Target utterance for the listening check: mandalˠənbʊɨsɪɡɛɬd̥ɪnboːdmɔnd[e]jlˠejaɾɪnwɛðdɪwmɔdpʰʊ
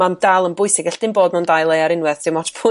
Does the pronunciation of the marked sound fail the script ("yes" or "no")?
yes